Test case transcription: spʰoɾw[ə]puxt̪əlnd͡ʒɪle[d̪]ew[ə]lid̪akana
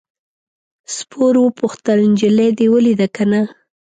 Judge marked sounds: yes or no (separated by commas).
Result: yes, yes, yes